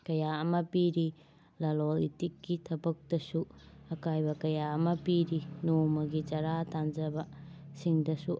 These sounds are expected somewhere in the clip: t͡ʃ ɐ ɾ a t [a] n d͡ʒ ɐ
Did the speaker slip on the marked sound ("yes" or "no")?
no